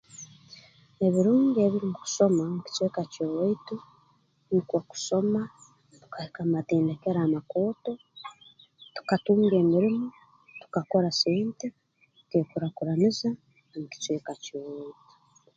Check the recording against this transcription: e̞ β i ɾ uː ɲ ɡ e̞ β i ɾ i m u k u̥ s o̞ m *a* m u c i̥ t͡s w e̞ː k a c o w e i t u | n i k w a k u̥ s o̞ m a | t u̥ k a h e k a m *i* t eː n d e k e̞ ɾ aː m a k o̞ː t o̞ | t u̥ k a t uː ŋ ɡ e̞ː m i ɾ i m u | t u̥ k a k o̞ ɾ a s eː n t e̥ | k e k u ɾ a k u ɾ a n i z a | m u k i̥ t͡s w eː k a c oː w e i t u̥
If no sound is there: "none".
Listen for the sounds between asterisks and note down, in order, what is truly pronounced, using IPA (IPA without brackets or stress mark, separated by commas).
a, a